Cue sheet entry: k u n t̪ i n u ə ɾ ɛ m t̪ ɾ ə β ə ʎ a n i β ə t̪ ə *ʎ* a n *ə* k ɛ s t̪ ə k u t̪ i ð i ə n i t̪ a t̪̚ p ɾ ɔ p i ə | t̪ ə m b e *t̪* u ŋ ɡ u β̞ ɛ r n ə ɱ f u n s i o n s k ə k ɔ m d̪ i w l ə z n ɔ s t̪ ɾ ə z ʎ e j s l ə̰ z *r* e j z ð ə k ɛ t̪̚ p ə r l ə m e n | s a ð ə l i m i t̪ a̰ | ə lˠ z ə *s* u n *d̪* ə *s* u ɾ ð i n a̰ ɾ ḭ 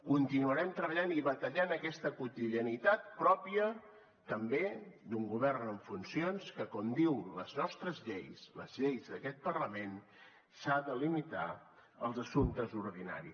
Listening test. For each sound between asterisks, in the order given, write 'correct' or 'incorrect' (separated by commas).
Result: correct, correct, incorrect, incorrect, correct, incorrect, incorrect